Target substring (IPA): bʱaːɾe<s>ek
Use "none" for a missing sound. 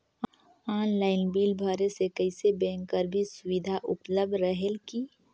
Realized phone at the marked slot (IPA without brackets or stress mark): s